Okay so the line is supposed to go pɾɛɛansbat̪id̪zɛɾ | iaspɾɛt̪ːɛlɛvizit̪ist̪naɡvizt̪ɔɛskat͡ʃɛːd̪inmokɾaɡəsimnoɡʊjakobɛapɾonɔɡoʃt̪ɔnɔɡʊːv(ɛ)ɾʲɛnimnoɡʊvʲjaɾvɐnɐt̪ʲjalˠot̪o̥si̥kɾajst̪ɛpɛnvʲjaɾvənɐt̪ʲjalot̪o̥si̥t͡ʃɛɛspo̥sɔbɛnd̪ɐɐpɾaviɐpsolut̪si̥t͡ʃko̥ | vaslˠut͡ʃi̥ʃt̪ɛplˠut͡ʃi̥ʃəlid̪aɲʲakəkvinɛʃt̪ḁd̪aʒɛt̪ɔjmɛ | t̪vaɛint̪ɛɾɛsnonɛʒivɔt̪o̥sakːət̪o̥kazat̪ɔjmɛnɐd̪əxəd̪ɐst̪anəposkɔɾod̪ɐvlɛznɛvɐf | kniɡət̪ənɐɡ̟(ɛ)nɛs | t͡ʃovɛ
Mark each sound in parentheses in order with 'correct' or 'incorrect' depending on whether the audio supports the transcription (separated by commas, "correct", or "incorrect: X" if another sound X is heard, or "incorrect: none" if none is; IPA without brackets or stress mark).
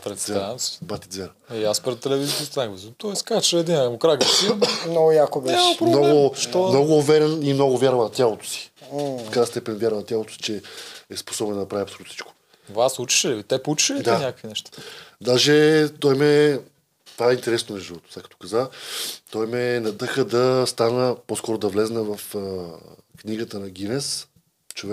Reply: correct, incorrect: i